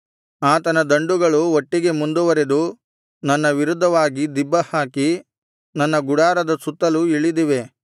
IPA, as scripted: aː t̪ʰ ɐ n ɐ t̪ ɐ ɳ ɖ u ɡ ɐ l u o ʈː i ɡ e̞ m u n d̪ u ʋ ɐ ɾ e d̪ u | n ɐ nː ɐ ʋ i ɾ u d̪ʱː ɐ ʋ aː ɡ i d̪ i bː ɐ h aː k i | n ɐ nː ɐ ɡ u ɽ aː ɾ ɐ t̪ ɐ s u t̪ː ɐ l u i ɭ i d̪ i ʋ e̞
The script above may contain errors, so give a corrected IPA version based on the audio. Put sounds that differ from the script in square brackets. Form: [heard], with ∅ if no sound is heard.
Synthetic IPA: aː [t̪] ɐ n ɐ [d̪] ɐ ɳ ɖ u ɡ ɐ [ɭ] u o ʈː i ɡ e̞ m u n d̪ u ʋ ɐ ɾ e d̪ u | n ɐ nː ɐ ʋ i ɾ u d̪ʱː ɐ ʋ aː ɡ i d̪ i bː ɐ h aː k i | n ɐ nː ɐ ɡ u ɽ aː ɾ ɐ [d̪] ɐ s u t̪ː ɐ l u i ɭ i d̪ i ʋ e̞